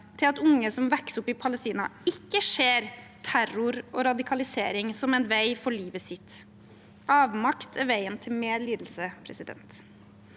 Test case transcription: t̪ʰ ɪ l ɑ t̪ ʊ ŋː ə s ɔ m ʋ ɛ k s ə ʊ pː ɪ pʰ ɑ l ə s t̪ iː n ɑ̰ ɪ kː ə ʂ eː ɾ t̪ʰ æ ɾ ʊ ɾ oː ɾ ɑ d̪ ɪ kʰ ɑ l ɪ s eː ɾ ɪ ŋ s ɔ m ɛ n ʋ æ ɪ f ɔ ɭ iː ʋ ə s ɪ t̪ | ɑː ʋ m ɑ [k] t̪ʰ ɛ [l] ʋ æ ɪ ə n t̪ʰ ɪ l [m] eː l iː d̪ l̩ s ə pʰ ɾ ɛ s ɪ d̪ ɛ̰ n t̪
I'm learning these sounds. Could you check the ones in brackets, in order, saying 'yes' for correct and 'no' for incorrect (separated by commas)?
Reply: yes, no, yes